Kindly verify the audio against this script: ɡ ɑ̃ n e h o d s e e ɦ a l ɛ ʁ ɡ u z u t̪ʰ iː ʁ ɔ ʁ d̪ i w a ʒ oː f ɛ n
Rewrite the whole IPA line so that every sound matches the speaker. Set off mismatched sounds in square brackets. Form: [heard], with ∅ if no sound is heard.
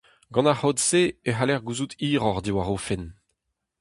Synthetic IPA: ɡ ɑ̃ n [a] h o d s e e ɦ a l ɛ ʁ ɡ u z u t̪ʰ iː ʁ ɔ ʁ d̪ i w a [ʁ] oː f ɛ n